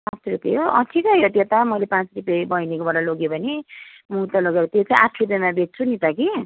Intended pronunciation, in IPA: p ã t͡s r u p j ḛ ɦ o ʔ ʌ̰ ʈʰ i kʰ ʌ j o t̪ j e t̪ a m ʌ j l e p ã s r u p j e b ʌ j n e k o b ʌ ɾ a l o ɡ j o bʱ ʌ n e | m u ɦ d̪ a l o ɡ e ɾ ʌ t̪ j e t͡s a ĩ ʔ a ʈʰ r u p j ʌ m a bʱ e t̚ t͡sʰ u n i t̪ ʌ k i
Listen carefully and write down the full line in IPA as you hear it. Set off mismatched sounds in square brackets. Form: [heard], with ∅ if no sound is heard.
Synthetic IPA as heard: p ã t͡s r u p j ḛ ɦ o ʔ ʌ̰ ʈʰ i [k] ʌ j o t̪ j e t̪ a m ʌ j l e p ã [t͡s] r u p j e b ʌ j n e k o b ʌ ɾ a l o ɡ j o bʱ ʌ n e | m u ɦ [t̪] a l o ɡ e ɾ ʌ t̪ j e t͡s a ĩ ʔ a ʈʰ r u p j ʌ m a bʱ e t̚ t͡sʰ u n i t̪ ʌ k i